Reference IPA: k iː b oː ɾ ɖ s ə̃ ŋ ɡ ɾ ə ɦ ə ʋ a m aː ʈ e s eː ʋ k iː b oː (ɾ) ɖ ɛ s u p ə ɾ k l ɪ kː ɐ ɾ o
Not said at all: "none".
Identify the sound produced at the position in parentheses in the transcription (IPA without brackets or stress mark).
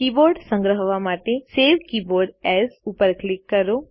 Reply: ɾ